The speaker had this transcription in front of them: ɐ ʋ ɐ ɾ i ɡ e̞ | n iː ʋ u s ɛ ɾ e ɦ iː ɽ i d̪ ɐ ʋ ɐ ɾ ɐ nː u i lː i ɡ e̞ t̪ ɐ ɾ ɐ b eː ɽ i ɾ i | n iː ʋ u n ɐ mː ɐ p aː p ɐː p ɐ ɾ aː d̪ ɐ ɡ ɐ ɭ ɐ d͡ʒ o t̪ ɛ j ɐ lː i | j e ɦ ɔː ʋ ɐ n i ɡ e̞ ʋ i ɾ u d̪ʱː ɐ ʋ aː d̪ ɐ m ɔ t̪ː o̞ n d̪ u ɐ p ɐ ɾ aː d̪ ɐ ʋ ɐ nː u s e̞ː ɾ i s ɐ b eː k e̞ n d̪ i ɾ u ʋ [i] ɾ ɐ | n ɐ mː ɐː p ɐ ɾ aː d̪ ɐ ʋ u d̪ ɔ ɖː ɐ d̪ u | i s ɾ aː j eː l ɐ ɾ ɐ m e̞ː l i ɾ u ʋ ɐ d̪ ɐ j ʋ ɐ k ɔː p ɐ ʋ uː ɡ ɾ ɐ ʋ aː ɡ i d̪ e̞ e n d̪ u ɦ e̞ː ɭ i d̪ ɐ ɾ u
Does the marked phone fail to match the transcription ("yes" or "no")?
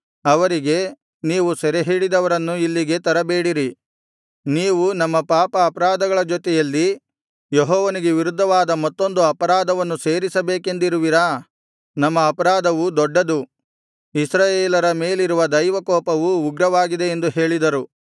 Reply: no